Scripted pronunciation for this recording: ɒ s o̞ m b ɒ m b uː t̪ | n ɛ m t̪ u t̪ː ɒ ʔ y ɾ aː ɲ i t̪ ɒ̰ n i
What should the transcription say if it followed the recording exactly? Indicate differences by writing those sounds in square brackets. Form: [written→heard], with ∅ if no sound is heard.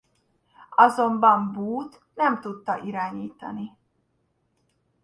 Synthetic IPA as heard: ɒ [s→z] o̞ m b ɒ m b uː t̪ | n ɛ m t̪ u t̪ː ɒ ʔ [y→i] ɾ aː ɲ [i→iː] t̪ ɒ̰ n i